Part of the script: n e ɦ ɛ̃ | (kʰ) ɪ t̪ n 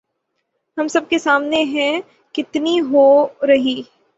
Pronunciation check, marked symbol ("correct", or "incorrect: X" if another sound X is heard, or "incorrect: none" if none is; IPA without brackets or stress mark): incorrect: k